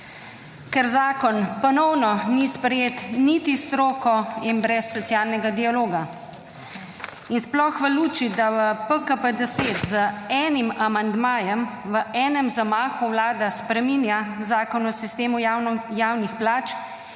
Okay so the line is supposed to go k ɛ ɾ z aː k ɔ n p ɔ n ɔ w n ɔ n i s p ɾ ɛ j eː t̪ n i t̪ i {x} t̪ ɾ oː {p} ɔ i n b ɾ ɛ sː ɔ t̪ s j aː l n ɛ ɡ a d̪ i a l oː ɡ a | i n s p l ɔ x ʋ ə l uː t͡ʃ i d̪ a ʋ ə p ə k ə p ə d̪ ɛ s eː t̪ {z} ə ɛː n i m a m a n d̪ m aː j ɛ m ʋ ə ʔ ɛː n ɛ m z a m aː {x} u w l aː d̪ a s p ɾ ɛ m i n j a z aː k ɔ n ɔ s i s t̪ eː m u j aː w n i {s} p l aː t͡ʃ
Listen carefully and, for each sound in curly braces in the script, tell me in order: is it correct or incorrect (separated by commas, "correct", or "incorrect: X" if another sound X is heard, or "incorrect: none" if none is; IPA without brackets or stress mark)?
incorrect: s, incorrect: k, correct, correct, incorrect: x